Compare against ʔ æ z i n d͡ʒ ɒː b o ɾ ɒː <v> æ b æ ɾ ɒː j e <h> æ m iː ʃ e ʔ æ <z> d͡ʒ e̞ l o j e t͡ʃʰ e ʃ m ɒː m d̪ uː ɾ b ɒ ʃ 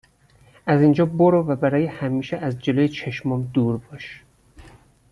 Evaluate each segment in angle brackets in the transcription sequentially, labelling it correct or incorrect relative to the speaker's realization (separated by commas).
correct, correct, correct